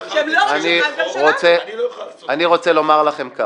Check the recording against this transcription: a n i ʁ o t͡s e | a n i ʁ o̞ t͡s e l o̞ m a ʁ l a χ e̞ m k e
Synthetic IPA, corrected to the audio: a n i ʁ o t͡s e | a n i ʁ o̞ t͡s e l o̞ m a ʁ l a χ e̞ m k a